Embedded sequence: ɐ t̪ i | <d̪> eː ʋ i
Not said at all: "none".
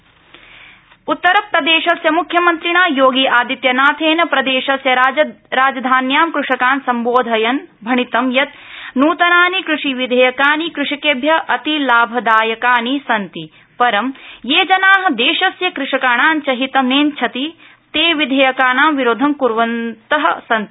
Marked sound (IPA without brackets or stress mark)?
t̪